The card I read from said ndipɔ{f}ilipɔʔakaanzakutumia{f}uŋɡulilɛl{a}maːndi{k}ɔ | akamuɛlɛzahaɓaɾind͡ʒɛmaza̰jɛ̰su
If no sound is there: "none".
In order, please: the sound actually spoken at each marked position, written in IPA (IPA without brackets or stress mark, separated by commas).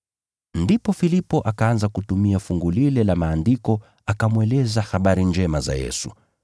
f, f, a, k